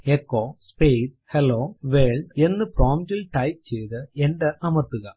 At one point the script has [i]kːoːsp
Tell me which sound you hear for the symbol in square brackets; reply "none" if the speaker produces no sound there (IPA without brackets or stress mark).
e